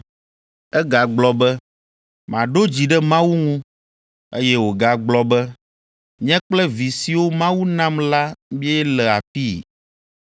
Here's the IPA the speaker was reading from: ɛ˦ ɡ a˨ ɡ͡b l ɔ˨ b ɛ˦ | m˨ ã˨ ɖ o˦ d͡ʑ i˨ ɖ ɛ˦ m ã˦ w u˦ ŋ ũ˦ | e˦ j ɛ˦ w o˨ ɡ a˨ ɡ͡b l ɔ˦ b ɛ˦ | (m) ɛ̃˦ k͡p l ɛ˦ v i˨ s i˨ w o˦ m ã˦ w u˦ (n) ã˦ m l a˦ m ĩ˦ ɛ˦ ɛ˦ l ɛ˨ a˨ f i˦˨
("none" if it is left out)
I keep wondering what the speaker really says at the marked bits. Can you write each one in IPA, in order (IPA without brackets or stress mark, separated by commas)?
ɲ, n